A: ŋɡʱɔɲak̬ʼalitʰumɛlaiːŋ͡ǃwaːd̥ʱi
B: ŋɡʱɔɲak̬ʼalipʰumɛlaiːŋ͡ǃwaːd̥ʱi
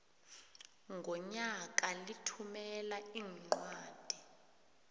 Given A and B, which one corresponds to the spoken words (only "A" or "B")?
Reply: A